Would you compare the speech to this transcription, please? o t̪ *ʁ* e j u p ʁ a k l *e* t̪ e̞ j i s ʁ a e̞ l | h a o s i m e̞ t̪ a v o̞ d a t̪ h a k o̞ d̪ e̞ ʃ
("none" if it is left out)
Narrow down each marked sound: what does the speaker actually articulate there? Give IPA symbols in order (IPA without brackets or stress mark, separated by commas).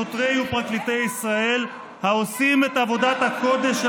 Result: ʁ, i